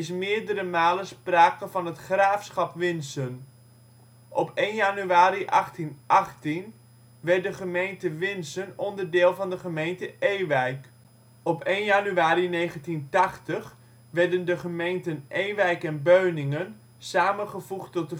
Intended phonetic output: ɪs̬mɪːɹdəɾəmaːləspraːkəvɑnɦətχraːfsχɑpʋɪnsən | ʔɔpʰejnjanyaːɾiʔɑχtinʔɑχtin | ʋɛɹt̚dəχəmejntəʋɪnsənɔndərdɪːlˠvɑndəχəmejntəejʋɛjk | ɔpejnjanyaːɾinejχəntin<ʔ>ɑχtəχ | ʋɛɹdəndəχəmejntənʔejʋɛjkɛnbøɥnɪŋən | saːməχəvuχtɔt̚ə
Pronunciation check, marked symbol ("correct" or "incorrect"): incorrect